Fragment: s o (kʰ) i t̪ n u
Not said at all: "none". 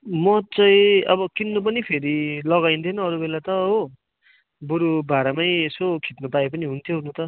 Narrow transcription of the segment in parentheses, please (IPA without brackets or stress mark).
kʰ